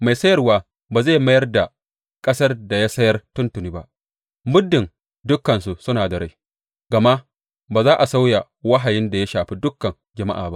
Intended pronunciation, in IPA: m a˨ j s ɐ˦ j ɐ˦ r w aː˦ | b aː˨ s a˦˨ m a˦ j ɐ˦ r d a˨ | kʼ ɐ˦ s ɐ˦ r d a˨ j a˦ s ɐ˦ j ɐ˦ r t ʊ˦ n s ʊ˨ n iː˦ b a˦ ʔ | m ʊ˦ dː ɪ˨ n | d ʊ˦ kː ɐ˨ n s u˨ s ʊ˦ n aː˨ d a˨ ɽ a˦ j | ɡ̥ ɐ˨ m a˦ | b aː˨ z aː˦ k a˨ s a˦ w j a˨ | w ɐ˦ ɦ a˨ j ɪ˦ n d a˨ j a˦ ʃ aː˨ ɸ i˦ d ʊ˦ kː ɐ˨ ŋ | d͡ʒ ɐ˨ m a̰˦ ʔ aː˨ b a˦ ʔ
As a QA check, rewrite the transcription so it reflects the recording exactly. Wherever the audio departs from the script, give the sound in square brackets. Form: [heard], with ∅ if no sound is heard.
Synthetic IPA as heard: m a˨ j s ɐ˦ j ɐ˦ r w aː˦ | b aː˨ [z] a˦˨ m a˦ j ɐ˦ r d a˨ | kʼ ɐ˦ s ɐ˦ r d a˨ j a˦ s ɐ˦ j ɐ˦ r t ʊ˦ n [t] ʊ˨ n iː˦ b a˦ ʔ | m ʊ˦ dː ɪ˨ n | d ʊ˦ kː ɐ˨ n s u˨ s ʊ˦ n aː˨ d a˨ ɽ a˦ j | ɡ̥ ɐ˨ m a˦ | b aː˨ z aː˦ [ʔ] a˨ s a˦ w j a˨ | w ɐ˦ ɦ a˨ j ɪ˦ n d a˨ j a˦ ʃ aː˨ ɸ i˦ d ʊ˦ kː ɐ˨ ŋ | d͡ʒ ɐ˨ m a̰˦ ʔ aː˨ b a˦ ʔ